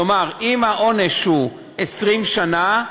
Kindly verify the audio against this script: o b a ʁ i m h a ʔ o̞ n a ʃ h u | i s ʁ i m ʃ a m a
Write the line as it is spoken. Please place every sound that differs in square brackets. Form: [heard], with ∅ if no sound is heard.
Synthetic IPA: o [m] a ʁ i m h a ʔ o̞ n [e] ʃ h u | [e] s ʁ i m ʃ a [n] a